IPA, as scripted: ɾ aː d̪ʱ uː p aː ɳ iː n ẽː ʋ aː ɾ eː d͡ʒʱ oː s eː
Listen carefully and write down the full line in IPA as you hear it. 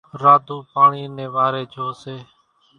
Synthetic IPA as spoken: ɾ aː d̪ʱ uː p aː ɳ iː n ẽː ʋ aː ɾ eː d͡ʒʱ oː s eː